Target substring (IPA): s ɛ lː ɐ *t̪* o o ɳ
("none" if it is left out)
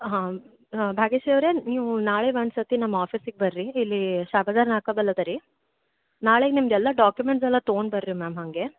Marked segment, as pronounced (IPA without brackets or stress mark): t̪